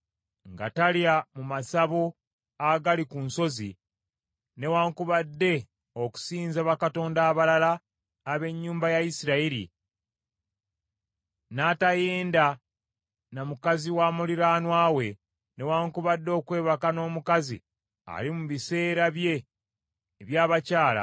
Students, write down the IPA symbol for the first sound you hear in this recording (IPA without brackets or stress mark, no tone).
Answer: ŋ